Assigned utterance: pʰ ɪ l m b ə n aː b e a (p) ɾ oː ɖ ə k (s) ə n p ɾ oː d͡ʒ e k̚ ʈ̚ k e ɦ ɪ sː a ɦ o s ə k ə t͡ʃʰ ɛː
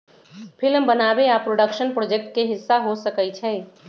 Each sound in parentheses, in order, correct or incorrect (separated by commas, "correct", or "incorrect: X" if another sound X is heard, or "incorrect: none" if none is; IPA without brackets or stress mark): correct, incorrect: ʃ